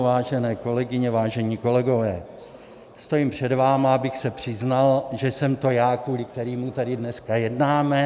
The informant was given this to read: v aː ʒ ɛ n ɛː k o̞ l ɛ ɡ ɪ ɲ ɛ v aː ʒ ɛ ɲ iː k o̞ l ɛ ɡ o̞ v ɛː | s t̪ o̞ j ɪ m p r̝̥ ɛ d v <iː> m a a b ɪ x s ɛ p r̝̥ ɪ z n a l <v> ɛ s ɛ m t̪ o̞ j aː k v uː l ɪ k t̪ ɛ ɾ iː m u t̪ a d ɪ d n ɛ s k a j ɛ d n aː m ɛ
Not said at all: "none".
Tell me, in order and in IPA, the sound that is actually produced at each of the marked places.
aː, ʒ

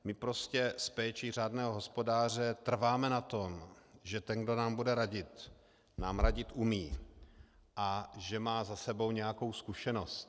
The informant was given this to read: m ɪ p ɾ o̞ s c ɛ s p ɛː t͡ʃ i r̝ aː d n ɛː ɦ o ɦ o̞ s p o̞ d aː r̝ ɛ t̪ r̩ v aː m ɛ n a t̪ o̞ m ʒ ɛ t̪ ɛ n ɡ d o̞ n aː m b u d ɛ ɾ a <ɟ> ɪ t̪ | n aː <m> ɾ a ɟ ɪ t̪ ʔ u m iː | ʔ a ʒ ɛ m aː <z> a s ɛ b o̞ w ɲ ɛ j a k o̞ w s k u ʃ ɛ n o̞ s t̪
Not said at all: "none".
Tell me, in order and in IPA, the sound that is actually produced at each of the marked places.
ɟ, m, z

